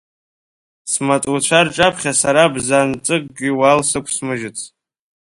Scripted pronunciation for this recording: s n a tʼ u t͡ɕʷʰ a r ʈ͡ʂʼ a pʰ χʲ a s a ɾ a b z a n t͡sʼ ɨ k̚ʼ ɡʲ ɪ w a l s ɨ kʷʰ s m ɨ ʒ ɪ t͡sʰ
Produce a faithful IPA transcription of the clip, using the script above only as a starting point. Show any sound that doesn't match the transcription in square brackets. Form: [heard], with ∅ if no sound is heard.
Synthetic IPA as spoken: s [m] a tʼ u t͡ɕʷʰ a r ʈ͡ʂʼ a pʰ χʲ a s a ɾ a b z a n t͡sʼ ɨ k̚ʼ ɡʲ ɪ w a l s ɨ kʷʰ s m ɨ ʒ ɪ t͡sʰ